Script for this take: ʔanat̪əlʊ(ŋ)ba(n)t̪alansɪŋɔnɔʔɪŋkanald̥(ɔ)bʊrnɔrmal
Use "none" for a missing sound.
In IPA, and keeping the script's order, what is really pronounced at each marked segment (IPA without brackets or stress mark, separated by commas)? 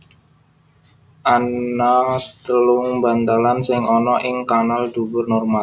ŋ, n, u